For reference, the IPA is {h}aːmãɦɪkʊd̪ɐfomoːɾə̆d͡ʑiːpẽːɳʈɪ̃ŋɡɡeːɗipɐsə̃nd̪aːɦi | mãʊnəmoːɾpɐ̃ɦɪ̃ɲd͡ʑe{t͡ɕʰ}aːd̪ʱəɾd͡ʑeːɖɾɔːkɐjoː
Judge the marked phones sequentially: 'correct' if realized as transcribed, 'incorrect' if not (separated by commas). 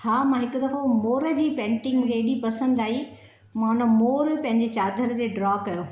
correct, incorrect